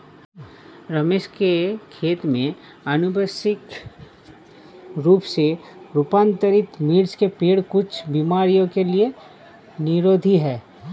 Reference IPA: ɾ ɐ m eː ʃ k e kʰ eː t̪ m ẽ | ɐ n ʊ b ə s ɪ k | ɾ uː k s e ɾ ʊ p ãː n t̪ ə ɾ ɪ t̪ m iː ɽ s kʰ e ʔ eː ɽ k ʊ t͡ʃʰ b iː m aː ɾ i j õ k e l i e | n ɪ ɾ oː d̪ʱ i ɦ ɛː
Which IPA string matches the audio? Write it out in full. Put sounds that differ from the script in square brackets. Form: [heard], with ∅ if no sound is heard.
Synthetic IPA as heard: ɾ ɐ m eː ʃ k e kʰ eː t̪ m ẽ | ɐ n ʊ b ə s ɪ k | ɾ uː [p] s e ɾ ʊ p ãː n t̪ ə ɾ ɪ t̪ m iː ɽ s [k] e [p] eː ɽ k ʊ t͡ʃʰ b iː m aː ɾ i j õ k e l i e | n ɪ ɾ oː d̪ʱ i ɦ ɛː

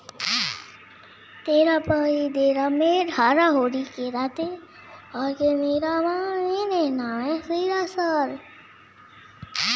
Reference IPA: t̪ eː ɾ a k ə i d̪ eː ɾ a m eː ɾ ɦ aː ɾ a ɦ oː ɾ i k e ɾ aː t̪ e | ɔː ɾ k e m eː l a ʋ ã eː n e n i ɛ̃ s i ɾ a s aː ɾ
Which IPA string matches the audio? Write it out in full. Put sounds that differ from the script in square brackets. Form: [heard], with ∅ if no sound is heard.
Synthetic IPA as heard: t̪ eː ɾ a [p] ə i d̪ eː ɾ a m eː ɾ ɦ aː ɾ a ɦ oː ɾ i k e ɾ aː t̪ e | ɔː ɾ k e m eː [ɾ] a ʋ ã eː n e n [a] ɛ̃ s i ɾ a s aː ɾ

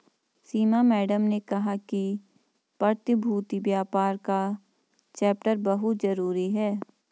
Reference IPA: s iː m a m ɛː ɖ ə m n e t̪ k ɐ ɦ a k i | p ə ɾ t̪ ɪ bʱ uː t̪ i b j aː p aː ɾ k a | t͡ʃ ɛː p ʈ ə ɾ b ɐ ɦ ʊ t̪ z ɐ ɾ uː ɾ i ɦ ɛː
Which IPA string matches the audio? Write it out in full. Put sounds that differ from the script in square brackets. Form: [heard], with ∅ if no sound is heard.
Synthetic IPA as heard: s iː m a m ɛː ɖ ə m n e [∅] k ɐ ɦ a k i | p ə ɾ t̪ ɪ bʱ uː t̪ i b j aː p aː ɾ k a | t͡ʃ ɛː p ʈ ə ɾ b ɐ ɦ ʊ t̪ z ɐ ɾ uː ɾ i ɦ ɛː

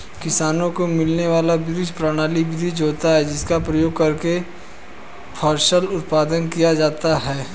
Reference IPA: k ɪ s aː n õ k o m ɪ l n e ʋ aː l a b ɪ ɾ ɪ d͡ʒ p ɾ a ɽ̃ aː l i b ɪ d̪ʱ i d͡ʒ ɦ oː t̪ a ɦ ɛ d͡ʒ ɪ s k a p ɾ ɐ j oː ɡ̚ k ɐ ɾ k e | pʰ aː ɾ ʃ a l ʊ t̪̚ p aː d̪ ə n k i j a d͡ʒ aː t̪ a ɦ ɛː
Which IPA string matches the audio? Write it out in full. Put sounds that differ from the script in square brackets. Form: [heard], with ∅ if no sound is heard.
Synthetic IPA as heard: k ɪ s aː n õ k o m ɪ l n e ʋ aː l a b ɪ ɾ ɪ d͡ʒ p ɾ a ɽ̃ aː l i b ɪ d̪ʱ i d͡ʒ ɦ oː t̪ a ɦ ɛ d͡ʒ ɪ s k a p ɾ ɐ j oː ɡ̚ k ɐ ɾ k e | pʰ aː ɾ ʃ [ə] l ʊ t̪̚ p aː d̪ ə n k i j a d͡ʒ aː t̪ a ɦ ɛː

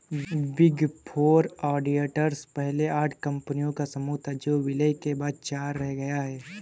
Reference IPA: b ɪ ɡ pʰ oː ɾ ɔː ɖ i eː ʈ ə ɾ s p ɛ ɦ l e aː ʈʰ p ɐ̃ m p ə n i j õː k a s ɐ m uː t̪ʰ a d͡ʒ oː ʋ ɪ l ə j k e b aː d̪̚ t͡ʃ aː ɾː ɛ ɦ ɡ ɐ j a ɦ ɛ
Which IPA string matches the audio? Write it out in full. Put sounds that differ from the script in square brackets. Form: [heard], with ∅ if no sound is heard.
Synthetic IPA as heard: b ɪ ɡ pʰ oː ɾ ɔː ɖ i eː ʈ ə ɾ s p ɛ ɦ l e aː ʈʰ [k] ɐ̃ m p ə n i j [õ] k a s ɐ m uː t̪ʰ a d͡ʒ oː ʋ ɪ l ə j k e b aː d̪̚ t͡ʃ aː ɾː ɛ ɦ ɡ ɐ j a ɦ [ɛː]

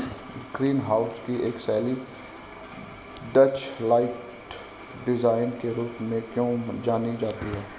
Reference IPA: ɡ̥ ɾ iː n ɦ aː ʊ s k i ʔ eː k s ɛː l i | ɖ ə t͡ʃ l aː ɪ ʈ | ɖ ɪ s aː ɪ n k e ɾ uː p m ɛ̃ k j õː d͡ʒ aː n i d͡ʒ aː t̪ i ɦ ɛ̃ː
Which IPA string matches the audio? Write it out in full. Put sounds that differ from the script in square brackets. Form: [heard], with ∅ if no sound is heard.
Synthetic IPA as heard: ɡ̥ ɾ iː n ɦ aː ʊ s k i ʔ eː k s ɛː l i | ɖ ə t͡ʃ l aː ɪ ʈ | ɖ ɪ [z] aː ɪ n k e ɾ uː p m [ẽ] k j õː d͡ʒ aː n i d͡ʒ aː t̪ i ɦ [ɛː]

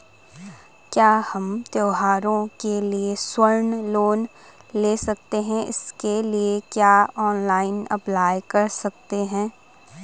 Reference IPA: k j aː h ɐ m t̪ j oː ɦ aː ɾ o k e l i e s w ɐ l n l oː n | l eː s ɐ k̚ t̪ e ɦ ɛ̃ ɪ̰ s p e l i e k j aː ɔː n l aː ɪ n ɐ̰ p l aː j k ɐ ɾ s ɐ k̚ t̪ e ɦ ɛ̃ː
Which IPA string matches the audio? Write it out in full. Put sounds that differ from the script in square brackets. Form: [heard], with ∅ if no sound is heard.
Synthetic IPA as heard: k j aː h ɐ m t̪ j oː ɦ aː ɾ [õ] k e l i e s w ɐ [ɾ] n l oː n | l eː s ɐ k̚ t̪ e ɦ ɛ̃ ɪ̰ s [k] e l i e k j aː ɔː n l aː ɪ n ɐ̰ p l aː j k ɐ ɾ s ɐ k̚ t̪ e ɦ ɛ̃ː

